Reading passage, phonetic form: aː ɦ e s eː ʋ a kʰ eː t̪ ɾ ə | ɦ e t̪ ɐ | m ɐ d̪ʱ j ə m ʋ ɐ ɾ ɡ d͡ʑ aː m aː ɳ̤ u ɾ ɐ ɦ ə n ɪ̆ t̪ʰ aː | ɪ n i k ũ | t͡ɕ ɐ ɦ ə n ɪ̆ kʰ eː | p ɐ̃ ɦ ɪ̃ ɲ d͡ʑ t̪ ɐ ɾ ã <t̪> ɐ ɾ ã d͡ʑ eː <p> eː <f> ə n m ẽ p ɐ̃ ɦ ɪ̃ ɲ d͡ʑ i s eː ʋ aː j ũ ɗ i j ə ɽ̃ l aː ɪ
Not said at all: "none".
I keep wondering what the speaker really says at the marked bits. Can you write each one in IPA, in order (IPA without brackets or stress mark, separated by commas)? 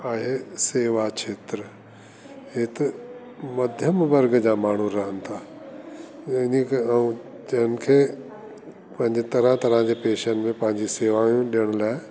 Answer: t̪, p, ʃ